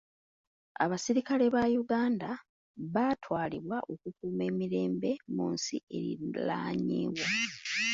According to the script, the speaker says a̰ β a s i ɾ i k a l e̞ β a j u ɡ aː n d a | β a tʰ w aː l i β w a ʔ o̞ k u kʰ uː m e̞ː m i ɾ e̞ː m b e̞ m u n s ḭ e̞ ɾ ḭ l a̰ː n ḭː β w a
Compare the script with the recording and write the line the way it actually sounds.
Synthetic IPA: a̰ β a s i ɾ i k a l e̞ β a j u ɡ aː n d a | β a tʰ w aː l i β w a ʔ o̞ k u k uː m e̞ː m i ɾ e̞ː m b e̞ m u n s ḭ e̞ ɾ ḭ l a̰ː ɲ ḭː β w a